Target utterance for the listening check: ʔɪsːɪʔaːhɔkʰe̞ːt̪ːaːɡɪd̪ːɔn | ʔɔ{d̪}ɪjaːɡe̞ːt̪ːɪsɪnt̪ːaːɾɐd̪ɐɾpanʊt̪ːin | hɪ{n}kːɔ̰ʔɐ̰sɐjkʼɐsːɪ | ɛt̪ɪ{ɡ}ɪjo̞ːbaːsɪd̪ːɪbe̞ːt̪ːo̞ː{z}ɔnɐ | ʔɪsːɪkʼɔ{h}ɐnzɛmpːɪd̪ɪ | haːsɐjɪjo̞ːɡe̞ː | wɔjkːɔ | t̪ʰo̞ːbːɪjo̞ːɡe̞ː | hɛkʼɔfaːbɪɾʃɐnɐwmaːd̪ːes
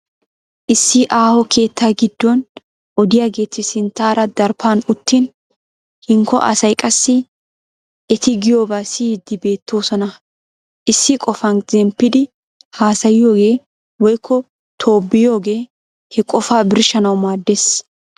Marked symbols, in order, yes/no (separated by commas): yes, no, yes, no, no